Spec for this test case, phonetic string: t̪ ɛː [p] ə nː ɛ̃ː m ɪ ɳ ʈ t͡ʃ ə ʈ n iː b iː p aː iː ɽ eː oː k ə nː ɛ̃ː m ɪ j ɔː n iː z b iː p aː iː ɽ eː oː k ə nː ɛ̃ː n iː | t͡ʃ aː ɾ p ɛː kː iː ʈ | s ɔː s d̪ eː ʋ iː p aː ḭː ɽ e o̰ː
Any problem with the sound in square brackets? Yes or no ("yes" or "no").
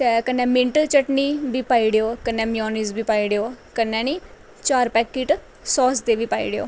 yes